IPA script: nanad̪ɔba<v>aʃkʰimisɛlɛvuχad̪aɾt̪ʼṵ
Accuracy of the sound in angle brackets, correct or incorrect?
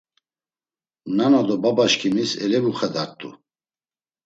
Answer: incorrect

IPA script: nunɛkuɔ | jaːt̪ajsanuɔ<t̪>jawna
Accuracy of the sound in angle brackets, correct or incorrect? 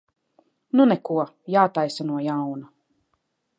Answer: incorrect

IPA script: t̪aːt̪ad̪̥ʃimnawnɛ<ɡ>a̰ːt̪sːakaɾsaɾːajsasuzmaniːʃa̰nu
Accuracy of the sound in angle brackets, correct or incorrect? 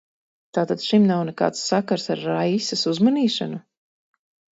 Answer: incorrect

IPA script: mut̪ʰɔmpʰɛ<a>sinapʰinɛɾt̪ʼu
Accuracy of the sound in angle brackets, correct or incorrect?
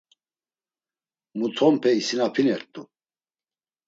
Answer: incorrect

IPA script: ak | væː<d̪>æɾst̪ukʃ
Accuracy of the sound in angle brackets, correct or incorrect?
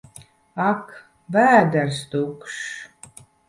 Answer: correct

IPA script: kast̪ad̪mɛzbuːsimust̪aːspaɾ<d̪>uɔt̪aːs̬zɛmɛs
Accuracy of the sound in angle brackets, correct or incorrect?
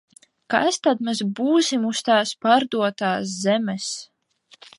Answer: correct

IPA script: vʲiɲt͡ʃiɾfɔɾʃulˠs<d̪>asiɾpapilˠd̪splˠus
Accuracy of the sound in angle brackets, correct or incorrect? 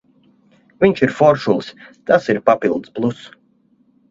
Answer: incorrect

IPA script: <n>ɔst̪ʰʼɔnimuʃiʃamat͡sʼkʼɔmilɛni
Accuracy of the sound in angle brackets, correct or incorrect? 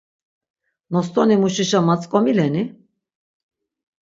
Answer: correct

